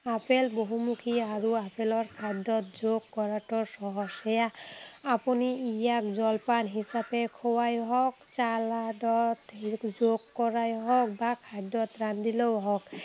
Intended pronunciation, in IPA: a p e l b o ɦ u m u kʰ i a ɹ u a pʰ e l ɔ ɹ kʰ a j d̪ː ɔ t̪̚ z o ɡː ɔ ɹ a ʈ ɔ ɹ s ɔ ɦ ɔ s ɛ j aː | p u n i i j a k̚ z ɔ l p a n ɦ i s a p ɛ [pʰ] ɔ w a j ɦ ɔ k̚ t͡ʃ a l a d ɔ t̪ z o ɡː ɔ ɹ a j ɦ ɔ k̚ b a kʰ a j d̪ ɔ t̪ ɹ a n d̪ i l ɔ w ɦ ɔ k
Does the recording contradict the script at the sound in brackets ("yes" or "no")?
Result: yes